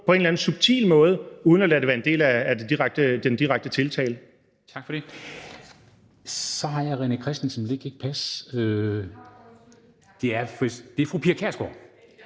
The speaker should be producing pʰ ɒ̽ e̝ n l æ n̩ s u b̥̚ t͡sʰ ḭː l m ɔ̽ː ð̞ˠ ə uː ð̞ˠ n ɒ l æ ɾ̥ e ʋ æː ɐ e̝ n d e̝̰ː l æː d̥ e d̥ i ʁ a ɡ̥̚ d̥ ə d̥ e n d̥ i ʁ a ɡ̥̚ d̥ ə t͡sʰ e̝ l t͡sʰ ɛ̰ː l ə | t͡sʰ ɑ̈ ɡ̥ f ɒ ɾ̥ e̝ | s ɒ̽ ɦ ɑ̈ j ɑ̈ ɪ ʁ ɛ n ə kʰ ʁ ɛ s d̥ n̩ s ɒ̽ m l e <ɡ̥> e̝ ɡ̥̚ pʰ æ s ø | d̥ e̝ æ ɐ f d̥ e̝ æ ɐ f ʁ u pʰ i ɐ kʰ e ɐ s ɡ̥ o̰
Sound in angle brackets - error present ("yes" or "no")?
no